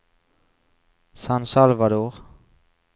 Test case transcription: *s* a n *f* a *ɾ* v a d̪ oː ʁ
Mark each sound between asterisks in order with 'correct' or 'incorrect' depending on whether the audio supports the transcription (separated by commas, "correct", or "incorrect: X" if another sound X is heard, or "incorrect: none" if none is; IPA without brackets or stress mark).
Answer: correct, incorrect: s, incorrect: l